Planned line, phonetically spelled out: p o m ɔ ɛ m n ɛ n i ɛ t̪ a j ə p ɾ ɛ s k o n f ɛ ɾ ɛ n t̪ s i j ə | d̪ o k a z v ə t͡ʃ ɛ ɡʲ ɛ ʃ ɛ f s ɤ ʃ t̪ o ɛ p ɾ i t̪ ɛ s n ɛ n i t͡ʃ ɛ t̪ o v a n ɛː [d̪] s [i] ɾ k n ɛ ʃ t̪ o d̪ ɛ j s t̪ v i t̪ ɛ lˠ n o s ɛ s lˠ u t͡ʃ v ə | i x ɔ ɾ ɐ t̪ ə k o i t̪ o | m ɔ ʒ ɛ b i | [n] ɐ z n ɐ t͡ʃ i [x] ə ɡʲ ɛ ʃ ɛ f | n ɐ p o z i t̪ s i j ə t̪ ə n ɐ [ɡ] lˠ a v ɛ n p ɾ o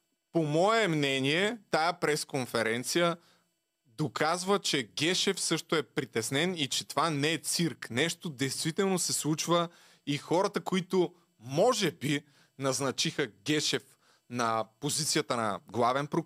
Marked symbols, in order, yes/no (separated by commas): no, yes, yes, yes, yes